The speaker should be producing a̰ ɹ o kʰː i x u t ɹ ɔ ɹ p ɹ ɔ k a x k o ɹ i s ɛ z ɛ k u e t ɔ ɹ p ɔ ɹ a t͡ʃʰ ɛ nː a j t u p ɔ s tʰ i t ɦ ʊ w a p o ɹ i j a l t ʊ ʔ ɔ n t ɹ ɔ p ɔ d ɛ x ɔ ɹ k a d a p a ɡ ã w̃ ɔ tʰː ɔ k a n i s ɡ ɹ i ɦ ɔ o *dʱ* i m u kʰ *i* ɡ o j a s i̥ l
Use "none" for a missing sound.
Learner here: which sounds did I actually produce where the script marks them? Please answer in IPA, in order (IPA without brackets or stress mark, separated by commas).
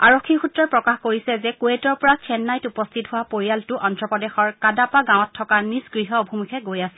bʱ, ɛ